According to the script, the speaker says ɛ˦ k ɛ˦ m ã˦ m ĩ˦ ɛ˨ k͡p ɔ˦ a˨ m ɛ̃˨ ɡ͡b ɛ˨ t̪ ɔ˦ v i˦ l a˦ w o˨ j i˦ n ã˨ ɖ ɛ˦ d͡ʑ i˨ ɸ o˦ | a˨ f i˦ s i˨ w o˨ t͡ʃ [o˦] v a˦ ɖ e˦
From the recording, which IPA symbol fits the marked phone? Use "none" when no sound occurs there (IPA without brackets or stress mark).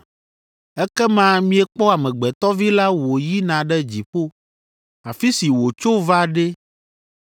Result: o˦